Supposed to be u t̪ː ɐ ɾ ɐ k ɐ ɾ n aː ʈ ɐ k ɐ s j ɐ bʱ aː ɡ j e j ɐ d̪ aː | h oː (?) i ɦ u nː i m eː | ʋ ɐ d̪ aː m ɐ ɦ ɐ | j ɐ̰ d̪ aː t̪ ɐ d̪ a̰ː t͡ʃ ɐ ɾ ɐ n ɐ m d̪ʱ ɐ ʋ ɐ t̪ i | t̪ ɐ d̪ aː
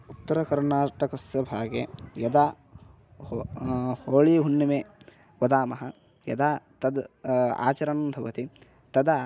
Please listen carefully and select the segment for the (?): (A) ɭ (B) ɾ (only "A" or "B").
A